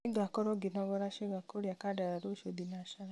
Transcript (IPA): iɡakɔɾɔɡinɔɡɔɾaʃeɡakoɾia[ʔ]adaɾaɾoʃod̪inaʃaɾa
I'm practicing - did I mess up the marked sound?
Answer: yes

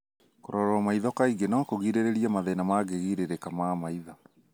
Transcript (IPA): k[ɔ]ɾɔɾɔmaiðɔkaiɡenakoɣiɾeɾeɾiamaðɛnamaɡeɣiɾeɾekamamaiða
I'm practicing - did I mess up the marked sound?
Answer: yes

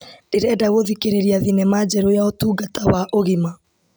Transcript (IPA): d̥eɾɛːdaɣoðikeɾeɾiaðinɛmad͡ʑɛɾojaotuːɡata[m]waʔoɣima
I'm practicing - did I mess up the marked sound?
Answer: yes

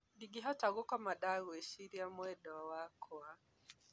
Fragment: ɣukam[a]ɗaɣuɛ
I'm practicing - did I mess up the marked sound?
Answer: no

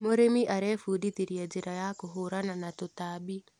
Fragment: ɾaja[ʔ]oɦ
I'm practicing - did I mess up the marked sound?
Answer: yes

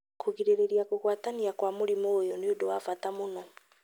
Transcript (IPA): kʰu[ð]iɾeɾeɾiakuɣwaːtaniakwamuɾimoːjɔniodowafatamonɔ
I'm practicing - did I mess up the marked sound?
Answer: yes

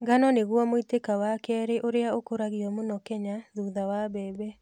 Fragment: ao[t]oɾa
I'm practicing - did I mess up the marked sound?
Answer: yes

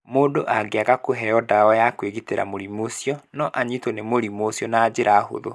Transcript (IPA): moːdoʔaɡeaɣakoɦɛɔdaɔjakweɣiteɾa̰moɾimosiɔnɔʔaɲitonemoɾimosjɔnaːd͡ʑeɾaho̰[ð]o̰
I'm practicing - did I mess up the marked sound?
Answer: no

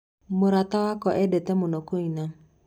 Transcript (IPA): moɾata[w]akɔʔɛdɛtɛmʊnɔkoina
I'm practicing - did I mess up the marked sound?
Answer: no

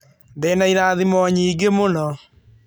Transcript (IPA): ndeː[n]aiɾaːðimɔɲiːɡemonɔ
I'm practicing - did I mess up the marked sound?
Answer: no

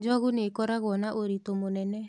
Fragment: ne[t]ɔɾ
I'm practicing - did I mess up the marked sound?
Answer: yes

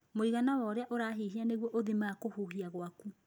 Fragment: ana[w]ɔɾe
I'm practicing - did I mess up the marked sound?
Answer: no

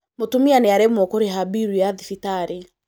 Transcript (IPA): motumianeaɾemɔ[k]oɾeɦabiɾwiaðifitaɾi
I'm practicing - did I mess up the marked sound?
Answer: no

